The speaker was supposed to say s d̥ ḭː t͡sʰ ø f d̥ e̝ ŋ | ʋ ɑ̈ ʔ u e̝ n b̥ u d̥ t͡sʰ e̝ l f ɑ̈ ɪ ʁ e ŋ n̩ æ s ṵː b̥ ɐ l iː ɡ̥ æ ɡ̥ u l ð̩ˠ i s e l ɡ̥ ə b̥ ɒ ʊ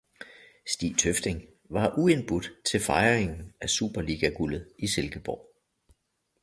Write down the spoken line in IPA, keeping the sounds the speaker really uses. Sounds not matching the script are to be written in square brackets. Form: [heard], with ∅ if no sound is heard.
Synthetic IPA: s d̥ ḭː t͡sʰ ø f d̥ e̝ ŋ | ʋ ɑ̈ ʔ u e̝ n b̥ u d̥ t͡sʰ e̝ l f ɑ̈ ɪ ʁ e ŋ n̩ æ s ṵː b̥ ɐ l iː ɡ̥ æ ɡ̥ u l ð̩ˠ i s e l ɡ̥ ə b̥ ɒ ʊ